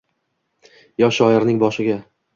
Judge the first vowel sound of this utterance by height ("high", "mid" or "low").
low